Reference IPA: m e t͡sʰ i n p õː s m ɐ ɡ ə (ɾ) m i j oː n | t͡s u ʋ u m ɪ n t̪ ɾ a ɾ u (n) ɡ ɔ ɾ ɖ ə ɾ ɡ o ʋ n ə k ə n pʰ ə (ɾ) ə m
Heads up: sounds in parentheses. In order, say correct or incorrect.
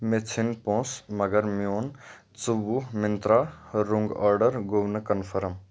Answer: correct, incorrect, correct

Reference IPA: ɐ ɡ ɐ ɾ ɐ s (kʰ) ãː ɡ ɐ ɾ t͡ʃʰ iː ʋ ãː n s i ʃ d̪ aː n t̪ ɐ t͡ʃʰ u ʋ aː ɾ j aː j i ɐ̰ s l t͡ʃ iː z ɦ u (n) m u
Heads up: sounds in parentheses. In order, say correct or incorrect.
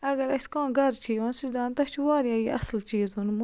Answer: incorrect, correct

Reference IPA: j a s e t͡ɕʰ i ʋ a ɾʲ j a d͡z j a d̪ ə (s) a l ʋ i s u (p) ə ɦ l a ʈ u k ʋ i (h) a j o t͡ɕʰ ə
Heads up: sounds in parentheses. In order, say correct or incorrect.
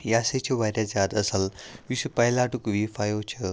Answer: correct, correct, incorrect

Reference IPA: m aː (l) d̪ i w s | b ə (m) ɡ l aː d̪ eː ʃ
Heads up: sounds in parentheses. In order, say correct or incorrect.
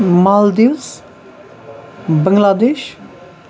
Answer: correct, incorrect

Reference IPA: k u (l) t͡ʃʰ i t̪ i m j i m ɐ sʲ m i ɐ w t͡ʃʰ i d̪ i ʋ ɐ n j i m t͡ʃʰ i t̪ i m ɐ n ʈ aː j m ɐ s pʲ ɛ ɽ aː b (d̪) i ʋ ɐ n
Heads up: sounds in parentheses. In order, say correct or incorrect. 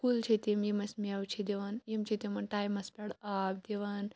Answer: correct, correct

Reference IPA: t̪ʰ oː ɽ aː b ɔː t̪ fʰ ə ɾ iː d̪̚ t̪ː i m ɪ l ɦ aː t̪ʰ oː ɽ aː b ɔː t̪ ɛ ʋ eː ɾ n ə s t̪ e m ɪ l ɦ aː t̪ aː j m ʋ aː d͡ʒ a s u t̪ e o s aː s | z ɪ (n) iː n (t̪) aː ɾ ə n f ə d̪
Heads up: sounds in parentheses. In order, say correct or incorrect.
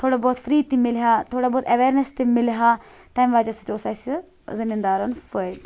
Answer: incorrect, incorrect

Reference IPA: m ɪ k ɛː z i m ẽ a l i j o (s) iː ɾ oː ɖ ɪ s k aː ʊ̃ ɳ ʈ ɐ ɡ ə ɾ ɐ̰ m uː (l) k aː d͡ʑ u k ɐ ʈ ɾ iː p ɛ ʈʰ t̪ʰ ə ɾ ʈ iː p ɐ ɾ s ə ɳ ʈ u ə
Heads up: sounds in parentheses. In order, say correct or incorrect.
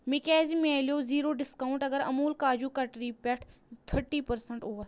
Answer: incorrect, correct

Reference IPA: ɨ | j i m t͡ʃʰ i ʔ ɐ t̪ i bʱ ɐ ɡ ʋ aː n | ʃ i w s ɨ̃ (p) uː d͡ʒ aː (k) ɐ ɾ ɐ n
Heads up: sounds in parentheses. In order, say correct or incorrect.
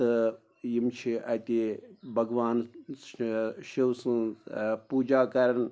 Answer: correct, correct

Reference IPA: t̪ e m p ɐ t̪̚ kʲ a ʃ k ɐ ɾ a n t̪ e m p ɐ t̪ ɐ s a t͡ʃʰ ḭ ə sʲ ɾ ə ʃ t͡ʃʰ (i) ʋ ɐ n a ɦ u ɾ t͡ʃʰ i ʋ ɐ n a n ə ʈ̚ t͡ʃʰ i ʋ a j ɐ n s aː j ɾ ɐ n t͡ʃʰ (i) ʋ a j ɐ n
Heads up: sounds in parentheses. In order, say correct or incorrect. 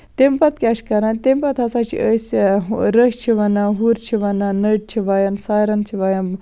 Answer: correct, correct

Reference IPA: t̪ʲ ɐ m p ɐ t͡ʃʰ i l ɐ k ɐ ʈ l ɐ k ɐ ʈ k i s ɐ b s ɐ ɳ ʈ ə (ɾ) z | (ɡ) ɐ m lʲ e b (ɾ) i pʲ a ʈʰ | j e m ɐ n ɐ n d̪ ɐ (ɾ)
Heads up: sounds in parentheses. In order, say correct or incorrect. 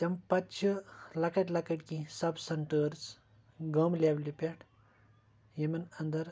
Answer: correct, correct, incorrect, correct

